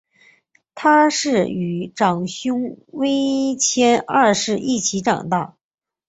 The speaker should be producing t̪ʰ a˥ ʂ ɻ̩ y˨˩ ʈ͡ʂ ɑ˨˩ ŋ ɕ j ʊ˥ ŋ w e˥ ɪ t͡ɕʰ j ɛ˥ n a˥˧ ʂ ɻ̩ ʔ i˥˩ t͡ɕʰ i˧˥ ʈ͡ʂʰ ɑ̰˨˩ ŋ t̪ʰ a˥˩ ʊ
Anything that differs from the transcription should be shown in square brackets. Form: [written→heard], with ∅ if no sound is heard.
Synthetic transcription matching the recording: t̪ʰ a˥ ʂ ɻ̩ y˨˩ ʈ͡ʂ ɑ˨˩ ŋ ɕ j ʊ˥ ŋ w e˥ ɪ t͡ɕʰ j ɛ˥ n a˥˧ ʂ ɻ̩ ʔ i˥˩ t͡ɕʰ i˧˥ [ʈ͡ʂʰ→ʈ͡ʂ] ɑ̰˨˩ ŋ [t̪ʰ→t̪] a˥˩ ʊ

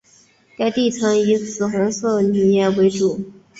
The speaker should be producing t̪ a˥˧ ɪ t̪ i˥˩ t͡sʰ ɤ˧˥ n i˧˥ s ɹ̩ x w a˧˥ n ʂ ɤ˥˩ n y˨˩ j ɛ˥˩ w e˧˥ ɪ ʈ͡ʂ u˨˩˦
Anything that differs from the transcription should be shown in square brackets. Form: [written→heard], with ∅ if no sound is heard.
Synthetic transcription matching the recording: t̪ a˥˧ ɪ t̪ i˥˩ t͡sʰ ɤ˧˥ [n→ŋ] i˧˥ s ɹ̩ x w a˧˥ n [ʂ→s] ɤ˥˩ n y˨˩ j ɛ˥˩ w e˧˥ ɪ ʈ͡ʂ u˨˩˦

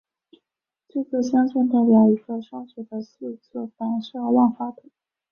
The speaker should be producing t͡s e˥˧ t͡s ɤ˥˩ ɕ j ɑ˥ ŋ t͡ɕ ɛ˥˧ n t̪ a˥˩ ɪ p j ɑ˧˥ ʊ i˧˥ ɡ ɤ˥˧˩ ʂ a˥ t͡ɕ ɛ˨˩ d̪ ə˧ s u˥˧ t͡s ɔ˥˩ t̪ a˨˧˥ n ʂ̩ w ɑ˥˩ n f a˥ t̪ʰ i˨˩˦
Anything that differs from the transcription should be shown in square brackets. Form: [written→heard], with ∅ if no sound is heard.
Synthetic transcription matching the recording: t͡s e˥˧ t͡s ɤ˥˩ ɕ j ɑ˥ ŋ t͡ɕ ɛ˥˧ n t̪ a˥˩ ɪ p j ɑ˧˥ ʊ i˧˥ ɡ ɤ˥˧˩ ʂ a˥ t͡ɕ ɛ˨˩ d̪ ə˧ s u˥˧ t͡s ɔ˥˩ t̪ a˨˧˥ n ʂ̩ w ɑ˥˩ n f a˥ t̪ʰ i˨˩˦

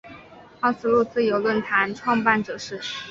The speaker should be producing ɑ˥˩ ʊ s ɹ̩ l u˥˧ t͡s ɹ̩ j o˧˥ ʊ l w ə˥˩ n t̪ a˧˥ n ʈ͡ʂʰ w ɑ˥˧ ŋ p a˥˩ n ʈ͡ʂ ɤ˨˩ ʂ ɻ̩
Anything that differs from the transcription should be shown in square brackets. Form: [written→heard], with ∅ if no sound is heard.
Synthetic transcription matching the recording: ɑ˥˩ ʊ s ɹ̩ l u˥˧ t͡s ɹ̩ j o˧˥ ʊ l w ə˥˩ n [t̪→t̪ʰ] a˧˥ n ʈ͡ʂʰ w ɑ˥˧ ŋ p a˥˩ n ʈ͡ʂ ɤ˨˩ ʂ ɻ̩

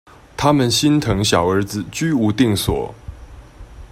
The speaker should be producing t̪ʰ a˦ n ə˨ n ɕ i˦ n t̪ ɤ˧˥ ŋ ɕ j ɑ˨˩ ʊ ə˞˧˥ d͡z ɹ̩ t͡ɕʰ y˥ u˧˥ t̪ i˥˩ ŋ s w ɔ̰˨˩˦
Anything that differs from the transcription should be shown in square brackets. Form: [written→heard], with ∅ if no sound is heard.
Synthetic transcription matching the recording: t̪ʰ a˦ [n→m] ə˨ n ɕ i˦ n [t̪→t̪ʰ] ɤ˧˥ ŋ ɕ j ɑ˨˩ ʊ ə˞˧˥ d͡z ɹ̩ [t͡ɕʰ→t͡ɕ] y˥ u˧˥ t̪ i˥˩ ŋ s w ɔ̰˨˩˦

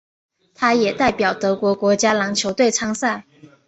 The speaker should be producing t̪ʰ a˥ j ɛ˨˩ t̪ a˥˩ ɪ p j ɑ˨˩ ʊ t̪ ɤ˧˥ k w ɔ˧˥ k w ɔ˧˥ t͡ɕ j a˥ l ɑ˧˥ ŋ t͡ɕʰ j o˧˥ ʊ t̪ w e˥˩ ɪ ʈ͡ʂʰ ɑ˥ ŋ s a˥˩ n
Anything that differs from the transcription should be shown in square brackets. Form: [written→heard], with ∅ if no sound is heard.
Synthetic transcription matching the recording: t̪ʰ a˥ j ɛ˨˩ t̪ a˥˩ ɪ p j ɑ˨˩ ʊ t̪ ɤ˧˥ k w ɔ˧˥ k w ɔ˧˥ t͡ɕ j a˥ l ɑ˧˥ ŋ t͡ɕʰ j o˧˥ ʊ t̪ w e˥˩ ɪ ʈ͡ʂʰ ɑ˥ ŋ s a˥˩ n

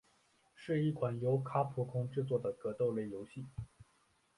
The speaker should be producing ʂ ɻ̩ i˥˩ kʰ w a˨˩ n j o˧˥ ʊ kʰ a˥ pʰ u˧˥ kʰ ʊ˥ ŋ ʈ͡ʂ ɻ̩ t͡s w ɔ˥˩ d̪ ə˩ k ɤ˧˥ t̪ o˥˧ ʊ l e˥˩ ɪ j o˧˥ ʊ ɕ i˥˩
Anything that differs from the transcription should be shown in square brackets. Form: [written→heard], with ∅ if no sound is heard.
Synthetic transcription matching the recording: ʂ ɻ̩ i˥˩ kʰ w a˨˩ n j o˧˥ ʊ kʰ a˥ pʰ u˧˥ kʰ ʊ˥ ŋ ʈ͡ʂ ɻ̩ t͡s w ɔ˥˩ d̪ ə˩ k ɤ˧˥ t̪ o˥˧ ʊ l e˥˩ ɪ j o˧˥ ʊ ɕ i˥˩

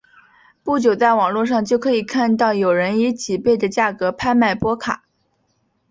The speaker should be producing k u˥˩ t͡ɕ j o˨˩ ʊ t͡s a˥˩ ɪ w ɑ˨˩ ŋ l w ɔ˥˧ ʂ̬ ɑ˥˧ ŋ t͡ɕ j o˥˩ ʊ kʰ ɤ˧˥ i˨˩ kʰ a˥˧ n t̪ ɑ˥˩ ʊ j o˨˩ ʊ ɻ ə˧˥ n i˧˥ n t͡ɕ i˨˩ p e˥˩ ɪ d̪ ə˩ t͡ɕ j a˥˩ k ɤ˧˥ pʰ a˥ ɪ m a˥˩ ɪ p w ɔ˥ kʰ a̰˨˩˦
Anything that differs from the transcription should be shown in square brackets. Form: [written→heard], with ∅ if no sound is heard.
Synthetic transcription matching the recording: [k→p] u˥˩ t͡ɕ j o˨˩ ʊ t͡s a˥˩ ɪ w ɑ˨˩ ŋ l w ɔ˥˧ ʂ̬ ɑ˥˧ ŋ t͡ɕ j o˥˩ ʊ kʰ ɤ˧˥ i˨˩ kʰ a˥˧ n t̪ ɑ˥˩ ʊ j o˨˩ ʊ ɻ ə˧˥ n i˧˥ [n→∅] t͡ɕ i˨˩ p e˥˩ ɪ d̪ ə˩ t͡ɕ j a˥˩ k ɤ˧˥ pʰ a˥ ɪ m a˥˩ ɪ p w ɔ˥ kʰ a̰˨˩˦

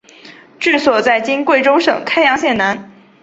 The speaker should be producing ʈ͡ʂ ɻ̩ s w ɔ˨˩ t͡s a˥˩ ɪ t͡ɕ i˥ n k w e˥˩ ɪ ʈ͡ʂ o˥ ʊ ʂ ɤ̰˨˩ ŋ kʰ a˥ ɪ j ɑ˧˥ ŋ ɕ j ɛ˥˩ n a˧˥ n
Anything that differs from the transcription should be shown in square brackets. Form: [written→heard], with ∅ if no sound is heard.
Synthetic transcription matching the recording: ʈ͡ʂ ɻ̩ s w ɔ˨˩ t͡s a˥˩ ɪ t͡ɕ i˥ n k w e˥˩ ɪ ʈ͡ʂ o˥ ʊ ʂ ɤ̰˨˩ ŋ kʰ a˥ ɪ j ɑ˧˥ ŋ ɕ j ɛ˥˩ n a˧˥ n

